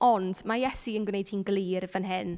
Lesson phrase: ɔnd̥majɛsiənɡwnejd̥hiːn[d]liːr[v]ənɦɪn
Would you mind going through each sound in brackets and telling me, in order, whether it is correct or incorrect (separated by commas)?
incorrect, correct